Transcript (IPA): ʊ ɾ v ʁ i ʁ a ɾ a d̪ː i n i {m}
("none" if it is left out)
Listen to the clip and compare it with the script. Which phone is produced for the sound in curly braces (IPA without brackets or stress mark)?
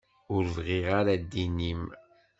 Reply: m